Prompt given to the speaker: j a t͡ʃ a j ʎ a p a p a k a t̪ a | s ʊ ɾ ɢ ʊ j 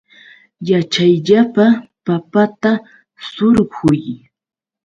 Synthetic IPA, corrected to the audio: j a t͡ʃ a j ʎ a p a p a p a t̪ a | s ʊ ɾ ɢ ʊ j